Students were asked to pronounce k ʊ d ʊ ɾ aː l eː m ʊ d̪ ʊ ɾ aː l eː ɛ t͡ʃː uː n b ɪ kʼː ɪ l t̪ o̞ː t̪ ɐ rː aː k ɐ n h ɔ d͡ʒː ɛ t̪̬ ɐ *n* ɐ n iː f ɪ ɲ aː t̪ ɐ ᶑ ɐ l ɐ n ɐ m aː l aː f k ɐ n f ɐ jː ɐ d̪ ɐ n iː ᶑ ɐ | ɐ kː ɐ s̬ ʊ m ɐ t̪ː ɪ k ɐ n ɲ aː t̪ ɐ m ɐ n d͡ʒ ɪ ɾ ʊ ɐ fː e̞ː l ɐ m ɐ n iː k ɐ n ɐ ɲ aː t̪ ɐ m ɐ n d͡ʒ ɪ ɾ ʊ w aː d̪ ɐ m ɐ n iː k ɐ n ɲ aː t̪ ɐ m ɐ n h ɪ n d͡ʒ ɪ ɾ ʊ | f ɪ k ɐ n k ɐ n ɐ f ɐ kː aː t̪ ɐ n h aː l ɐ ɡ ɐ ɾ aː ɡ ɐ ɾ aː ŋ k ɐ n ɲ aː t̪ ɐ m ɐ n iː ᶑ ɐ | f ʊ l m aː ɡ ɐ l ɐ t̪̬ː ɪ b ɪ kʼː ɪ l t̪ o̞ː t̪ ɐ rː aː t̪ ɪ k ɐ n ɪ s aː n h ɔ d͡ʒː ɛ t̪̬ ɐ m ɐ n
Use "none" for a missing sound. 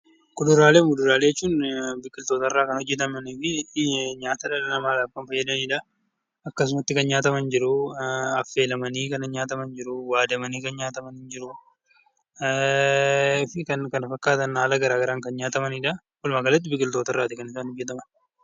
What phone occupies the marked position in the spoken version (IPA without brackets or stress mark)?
m